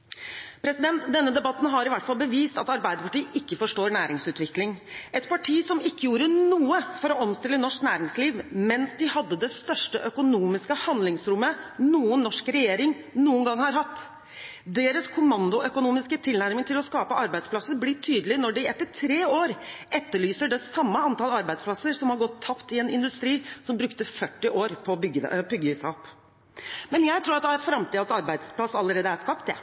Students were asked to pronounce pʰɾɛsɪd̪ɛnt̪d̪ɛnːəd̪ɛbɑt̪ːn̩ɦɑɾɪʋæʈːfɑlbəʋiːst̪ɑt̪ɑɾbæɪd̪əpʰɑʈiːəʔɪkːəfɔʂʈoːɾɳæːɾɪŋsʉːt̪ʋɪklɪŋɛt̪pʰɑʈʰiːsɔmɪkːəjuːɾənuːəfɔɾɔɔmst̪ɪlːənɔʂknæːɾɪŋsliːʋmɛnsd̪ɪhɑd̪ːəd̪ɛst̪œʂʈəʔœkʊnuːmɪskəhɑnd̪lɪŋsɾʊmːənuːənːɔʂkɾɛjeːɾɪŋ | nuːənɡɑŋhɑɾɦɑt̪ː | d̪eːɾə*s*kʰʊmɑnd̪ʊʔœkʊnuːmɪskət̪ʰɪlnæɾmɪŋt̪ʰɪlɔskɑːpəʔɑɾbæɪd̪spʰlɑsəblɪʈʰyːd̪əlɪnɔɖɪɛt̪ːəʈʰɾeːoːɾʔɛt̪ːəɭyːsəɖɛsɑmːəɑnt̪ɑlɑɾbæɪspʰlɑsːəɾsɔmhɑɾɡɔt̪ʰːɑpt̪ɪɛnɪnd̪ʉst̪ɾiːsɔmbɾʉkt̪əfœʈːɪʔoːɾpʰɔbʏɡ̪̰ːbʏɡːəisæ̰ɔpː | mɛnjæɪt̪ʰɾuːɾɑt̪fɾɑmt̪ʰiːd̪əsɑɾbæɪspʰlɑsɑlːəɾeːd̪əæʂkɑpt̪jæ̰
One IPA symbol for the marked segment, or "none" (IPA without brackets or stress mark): s